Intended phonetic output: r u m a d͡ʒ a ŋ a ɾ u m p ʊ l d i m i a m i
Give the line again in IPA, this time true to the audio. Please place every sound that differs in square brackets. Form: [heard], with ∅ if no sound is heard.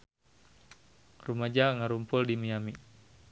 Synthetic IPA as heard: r u m a d͡ʒ a ŋ a ɾ u m p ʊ l d i m i a m i